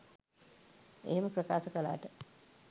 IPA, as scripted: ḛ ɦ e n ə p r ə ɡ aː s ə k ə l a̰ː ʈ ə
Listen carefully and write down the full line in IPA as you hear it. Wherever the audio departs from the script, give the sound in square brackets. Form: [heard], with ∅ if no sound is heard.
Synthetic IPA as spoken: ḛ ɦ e [m] ə p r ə [k] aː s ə k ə l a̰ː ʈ ə

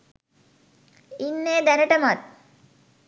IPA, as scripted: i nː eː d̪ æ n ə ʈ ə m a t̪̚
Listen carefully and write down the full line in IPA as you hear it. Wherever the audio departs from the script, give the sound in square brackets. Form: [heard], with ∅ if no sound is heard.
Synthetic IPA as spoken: i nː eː d̪ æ n ə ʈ ə m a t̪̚

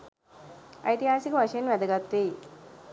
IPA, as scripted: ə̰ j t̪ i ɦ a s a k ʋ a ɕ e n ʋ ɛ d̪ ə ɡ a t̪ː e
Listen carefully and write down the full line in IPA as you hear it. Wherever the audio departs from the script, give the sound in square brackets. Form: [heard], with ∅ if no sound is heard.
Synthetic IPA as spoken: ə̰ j t̪ i ɦ a s [i] k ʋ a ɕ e n ʋ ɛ d̪ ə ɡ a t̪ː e

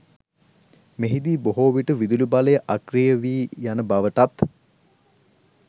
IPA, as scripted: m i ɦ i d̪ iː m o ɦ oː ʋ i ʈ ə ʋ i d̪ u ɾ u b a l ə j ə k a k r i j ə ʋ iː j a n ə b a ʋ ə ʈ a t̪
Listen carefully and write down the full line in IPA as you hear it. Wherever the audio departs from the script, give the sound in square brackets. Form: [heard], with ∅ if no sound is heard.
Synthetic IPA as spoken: m [e] ɦ i d̪ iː [b] o ɦ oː ʋ i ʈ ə ʋ i d̪ u [l] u b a l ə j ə [ʔ] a k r i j ə ʋ iː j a n ə b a ʋ ə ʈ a t̪

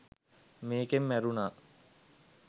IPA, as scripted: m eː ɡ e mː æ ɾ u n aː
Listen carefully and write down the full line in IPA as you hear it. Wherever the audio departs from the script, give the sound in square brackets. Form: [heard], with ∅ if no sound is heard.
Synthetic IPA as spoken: m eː [k] e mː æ ɾ u n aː

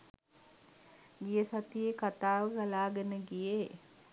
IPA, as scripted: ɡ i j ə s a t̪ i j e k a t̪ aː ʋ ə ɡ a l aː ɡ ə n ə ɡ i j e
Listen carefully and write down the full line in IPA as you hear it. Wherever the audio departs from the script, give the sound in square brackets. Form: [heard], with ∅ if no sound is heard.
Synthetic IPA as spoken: ɡ i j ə s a t̪ i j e k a t̪ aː ʋ ə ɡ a l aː ɡ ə n ə ɡ i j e

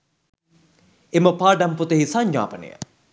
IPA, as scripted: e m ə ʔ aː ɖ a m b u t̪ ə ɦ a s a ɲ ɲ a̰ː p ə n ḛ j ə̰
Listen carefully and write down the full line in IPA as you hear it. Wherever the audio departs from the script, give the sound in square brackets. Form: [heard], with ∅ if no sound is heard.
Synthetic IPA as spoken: e m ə [p] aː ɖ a m [p] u t̪ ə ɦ [i] s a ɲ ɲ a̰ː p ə n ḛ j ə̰

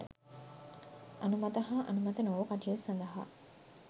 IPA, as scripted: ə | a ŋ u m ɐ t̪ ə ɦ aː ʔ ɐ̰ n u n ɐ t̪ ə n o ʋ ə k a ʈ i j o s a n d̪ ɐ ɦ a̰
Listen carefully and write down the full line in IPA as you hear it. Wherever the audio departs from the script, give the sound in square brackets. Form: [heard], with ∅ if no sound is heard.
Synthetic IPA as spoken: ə | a [n] u m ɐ t̪ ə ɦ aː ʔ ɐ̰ n u [m] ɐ t̪ ə n o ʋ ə k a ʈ i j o s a n d̪ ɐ ɦ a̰

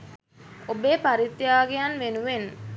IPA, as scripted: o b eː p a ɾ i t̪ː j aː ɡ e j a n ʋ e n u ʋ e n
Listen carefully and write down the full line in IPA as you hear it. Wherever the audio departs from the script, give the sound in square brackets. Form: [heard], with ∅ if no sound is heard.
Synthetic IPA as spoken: o b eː p a ɾ i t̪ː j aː ɡ e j a n ʋ e n u ʋ e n

